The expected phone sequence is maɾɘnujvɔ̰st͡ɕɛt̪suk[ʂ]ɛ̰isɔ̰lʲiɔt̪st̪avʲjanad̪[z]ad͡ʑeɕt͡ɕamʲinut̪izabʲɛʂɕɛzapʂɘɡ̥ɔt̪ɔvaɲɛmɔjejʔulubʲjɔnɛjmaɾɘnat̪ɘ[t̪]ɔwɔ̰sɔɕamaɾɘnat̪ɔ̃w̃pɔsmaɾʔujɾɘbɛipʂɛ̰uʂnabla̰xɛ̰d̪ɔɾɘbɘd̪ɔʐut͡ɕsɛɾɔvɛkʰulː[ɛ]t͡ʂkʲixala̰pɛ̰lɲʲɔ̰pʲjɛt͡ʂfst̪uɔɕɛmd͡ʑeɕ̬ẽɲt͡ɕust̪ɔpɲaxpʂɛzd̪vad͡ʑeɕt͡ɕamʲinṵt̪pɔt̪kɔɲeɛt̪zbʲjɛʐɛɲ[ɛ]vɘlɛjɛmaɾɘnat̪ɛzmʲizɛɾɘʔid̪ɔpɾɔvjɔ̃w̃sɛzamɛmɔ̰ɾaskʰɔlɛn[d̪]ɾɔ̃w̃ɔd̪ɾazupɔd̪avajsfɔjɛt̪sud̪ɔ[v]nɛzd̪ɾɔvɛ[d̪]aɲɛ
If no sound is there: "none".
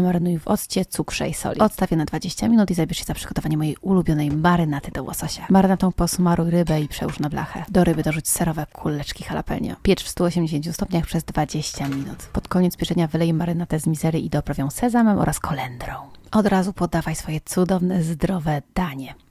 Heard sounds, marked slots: ʂ, v, d̪, ɛ, a, d̪, v, d̪

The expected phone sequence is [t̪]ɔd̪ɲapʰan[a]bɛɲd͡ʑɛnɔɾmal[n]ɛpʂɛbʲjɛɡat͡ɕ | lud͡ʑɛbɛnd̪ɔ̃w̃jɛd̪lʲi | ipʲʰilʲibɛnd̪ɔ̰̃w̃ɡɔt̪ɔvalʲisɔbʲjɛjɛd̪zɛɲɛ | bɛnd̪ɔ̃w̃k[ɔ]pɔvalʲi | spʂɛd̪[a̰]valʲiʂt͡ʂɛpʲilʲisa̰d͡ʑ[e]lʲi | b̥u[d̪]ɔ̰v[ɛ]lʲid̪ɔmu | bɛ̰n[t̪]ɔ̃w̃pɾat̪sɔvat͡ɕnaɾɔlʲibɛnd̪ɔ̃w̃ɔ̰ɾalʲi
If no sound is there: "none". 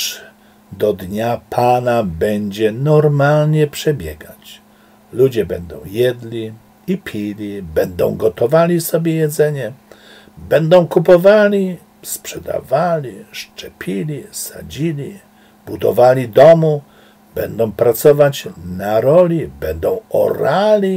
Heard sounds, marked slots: d̪, a, ɲ, u, a̰, i, d̪, a, d̪

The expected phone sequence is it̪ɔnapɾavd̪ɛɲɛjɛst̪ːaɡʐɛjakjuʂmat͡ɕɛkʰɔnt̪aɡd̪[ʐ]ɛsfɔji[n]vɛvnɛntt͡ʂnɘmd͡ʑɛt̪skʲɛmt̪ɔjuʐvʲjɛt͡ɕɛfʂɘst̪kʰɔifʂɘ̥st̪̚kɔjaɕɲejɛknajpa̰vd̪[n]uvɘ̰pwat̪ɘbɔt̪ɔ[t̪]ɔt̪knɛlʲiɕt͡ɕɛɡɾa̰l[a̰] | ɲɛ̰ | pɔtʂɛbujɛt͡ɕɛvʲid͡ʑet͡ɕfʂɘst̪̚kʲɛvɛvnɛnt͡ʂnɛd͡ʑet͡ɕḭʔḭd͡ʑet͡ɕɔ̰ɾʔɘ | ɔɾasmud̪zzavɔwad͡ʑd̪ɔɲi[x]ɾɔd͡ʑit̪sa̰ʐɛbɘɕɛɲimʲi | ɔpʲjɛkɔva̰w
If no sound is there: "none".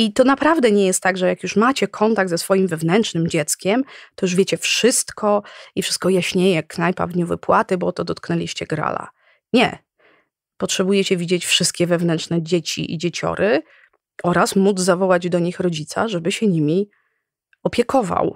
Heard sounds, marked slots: z, m, ɲ, d̪, a̰, x

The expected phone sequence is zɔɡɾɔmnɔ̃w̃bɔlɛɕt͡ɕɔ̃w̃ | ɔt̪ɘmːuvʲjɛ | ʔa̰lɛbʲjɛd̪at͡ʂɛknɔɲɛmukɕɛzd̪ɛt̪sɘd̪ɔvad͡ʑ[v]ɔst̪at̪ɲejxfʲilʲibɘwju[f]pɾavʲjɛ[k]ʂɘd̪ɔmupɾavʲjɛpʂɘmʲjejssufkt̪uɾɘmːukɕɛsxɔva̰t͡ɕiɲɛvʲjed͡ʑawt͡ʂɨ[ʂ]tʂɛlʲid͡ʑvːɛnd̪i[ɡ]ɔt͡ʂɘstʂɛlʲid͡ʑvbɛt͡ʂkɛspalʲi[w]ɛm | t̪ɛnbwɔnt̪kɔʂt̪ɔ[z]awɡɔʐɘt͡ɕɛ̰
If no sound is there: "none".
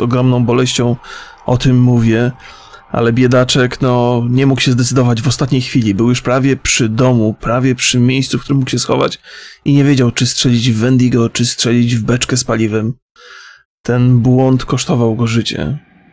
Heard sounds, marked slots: v, ʂ, p, s, ɡ, v, v

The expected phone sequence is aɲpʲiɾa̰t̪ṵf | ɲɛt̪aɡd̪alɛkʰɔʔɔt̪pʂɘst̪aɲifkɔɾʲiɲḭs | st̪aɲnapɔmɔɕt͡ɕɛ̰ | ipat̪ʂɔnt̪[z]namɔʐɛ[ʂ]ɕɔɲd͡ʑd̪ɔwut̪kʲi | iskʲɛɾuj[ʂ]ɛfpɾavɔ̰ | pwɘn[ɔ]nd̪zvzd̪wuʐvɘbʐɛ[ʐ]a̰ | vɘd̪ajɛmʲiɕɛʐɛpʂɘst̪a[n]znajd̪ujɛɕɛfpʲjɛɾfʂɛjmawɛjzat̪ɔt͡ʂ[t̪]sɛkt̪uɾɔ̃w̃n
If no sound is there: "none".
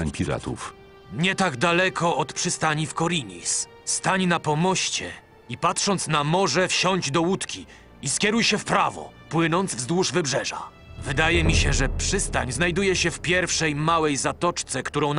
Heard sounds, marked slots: s, f, ɕ, ɔ, ʐ, ɲ, t̪

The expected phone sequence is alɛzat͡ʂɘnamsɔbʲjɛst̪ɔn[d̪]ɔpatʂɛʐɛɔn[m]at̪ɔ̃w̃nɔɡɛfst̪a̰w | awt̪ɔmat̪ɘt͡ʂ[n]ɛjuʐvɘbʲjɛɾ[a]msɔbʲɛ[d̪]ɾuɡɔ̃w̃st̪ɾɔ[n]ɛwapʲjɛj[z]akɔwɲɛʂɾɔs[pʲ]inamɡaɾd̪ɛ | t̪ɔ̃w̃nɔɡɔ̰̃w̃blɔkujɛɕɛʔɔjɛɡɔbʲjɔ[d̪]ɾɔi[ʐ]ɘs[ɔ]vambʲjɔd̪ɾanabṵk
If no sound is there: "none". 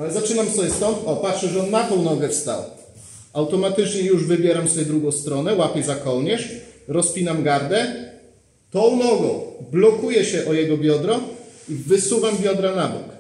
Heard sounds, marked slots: t̪, m, ɲ, a, d̪, n, z, pʲ, d̪, v, u

